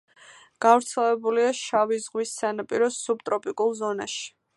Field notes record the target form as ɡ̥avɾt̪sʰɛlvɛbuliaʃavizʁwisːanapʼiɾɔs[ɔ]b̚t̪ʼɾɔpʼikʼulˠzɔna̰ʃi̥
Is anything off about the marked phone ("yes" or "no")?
yes